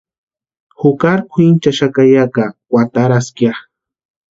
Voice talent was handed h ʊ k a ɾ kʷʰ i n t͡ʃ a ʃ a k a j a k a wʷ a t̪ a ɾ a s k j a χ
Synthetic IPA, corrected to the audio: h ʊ k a ɾ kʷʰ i n t͡ʃ a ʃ a k a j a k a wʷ a t̪ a ɾ a s k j a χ

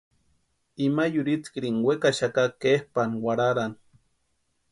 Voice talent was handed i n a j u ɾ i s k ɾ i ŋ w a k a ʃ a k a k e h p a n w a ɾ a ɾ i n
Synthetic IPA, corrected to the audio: i m a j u ɾ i t͡s k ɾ i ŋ w e k a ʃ a k a k e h p a n w a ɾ a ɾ a n

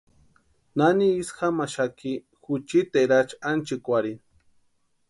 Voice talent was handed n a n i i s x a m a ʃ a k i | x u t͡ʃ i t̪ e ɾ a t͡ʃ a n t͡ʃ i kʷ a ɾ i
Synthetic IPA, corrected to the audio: n a n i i s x a m a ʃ a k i | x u t͡ʃ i t̪ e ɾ a t͡ʃ a n t͡ʃ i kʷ a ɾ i

